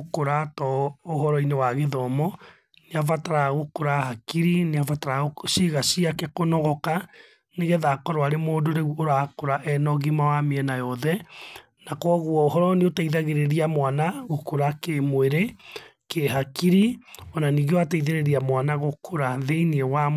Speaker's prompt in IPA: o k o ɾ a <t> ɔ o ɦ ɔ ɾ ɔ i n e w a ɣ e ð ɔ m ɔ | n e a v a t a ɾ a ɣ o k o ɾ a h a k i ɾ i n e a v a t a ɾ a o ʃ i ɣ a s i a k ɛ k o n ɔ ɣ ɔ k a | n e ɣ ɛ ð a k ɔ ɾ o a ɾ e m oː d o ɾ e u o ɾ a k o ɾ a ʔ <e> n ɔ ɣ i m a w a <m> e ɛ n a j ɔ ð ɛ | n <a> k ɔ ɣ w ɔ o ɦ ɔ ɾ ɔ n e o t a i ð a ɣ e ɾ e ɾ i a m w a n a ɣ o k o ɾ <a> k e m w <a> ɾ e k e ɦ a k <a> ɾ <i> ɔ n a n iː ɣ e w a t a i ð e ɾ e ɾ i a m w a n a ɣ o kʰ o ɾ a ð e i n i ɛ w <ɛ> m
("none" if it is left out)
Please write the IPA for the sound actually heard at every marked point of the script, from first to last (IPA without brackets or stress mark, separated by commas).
t, ɛ, m, a, a, e, i, i, a